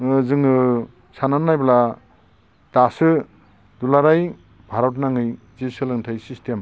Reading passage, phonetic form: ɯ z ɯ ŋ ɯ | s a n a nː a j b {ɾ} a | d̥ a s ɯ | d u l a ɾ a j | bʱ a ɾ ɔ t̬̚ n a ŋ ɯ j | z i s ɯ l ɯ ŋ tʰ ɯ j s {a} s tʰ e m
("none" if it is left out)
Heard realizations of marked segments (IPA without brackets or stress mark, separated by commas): l, i